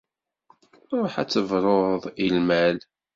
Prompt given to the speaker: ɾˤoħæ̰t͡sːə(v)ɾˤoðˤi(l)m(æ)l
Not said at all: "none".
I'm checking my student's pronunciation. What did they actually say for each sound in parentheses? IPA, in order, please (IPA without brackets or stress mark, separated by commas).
v, l, æ